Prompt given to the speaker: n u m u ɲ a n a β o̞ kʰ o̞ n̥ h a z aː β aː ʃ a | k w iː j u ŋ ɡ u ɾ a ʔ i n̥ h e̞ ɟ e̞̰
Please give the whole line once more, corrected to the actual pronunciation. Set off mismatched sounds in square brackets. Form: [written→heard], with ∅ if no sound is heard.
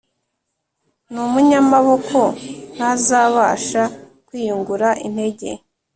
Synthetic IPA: n u m u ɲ a [n→m] a β o̞ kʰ o̞ n̥ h a z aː β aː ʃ a | k w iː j u ŋ ɡ u ɾ a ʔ i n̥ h e̞ ɟ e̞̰